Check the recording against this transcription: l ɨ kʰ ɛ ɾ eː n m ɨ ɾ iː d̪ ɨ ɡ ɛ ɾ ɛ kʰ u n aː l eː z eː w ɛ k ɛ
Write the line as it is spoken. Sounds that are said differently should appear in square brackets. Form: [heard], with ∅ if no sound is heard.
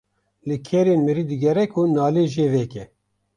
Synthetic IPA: l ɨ kʰ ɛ ɾ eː n m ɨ ɾ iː d̪ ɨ ɡ ɛ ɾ ɛ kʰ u n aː l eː [ʒ] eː [v] ɛ k ɛ